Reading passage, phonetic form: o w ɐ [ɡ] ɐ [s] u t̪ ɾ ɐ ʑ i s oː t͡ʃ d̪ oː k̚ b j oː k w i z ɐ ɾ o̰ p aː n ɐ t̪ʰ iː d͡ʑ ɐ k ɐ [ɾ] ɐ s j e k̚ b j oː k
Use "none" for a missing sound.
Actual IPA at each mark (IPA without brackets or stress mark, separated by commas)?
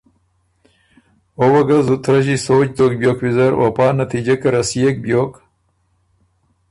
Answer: ɡ, z, ɾ